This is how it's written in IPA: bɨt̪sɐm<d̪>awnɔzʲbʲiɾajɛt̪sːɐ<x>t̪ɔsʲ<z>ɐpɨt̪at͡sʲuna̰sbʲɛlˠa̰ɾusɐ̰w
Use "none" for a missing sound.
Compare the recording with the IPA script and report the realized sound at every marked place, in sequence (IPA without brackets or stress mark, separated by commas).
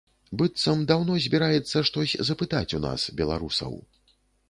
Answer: d̪, ʂ, z